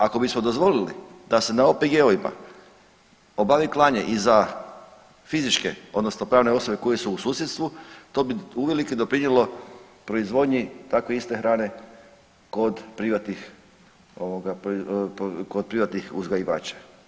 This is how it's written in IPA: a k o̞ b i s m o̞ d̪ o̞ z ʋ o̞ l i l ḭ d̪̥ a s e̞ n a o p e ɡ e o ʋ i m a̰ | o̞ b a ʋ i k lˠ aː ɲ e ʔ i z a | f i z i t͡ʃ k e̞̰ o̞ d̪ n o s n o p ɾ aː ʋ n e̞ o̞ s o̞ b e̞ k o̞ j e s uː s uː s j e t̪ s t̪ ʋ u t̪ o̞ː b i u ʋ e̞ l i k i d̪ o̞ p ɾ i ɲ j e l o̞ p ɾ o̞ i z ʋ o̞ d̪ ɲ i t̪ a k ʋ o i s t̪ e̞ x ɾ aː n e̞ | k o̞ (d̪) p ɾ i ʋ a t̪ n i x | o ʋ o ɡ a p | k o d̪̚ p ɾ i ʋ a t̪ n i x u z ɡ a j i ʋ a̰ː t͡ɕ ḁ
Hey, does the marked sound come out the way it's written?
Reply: yes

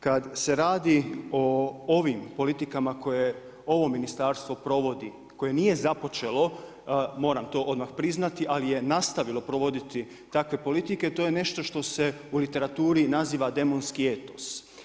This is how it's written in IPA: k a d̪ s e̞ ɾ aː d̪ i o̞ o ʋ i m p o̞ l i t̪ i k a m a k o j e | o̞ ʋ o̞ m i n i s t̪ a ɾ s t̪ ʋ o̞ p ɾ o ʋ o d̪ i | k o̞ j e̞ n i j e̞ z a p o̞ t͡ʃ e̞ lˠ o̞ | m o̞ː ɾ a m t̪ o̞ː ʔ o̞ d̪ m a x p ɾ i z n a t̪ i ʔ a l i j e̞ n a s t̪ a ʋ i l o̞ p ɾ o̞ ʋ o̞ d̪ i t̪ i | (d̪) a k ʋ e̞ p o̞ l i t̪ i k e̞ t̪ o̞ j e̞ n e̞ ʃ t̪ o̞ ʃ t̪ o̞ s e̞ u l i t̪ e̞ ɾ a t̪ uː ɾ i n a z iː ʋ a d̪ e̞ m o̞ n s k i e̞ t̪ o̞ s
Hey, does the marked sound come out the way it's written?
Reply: no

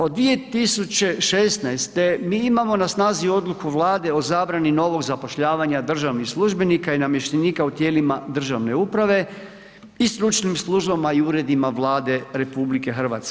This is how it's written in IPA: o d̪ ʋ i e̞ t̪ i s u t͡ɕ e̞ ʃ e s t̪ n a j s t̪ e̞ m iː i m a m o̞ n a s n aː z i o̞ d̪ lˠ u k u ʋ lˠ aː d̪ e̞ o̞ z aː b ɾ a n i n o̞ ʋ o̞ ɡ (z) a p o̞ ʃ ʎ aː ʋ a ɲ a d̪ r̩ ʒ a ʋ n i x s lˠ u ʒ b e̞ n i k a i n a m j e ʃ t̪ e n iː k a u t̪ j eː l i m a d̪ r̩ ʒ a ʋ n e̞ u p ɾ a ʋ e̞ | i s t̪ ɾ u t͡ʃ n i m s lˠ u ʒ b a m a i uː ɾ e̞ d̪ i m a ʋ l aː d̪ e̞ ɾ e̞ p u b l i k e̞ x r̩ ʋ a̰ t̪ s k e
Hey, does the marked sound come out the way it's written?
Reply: yes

